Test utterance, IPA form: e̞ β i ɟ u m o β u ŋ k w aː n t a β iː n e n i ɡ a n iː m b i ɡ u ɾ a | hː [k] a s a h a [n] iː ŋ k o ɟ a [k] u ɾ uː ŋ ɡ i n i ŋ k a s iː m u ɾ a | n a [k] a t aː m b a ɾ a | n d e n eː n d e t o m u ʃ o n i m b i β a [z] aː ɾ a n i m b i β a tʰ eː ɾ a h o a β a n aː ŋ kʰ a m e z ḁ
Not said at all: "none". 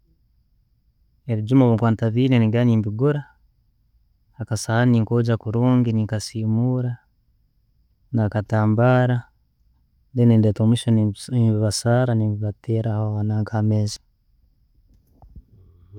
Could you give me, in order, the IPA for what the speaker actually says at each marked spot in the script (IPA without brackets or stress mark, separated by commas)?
k, n, k, k, s